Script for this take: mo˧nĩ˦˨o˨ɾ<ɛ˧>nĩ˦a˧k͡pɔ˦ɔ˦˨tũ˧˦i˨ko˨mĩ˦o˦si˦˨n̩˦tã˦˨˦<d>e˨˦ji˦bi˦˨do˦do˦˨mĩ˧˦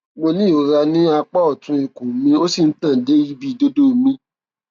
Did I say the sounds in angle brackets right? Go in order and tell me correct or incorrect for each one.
incorrect, correct

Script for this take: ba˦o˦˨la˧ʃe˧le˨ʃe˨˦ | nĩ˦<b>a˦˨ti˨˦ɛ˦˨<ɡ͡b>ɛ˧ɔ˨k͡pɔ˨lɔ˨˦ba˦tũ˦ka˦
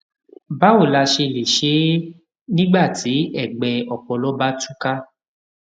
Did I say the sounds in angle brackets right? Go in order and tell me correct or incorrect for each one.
incorrect, correct

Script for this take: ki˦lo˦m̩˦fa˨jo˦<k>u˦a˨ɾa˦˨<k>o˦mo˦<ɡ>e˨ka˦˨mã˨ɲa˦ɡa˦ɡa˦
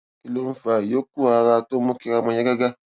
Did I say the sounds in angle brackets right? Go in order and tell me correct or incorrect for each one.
correct, incorrect, incorrect

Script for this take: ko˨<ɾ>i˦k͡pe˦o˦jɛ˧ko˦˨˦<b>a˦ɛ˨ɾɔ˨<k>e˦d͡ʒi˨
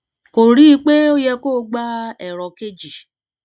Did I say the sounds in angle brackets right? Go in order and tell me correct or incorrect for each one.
correct, incorrect, correct

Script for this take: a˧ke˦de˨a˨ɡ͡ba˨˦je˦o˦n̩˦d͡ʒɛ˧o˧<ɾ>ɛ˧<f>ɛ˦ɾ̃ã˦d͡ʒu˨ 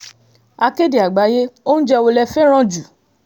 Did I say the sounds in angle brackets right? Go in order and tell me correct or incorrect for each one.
incorrect, correct

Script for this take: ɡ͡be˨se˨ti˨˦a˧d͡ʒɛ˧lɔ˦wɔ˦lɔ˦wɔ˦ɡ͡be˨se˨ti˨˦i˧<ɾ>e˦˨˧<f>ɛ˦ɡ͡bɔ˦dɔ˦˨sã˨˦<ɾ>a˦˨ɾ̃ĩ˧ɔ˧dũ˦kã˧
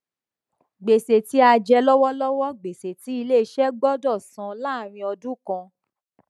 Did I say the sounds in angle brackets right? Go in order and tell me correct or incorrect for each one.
incorrect, incorrect, incorrect

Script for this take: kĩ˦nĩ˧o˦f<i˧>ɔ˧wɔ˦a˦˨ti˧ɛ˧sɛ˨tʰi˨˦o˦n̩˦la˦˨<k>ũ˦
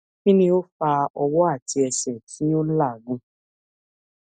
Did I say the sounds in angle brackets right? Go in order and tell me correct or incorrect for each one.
incorrect, incorrect

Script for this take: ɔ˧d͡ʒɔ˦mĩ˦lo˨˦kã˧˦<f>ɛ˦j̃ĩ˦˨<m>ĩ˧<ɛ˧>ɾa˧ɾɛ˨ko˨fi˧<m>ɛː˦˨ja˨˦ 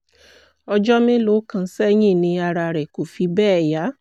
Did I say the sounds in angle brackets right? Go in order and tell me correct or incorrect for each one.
incorrect, incorrect, incorrect, incorrect

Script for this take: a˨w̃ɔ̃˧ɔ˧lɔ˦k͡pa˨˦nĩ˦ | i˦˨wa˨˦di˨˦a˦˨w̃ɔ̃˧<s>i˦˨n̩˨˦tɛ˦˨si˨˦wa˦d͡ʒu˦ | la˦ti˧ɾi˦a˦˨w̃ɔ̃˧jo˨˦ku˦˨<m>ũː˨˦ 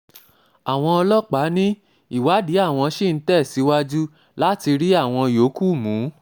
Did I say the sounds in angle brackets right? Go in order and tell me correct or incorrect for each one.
incorrect, correct

